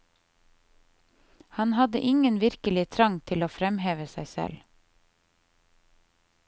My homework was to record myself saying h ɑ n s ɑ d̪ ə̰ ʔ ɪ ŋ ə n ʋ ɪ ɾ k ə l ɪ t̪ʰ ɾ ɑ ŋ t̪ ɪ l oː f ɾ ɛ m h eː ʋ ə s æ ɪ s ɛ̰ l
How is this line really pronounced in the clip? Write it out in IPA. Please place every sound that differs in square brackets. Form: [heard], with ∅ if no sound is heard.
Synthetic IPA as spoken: h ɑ n [h] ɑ d̪ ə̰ ʔ ɪ ŋ ə n ʋ ɪ ɾ k ə l ɪ t̪ʰ ɾ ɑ ŋ [t̪ʰ] ɪ l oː f ɾ ɛ m h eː ʋ ə s æ ɪ s ɛ̰ l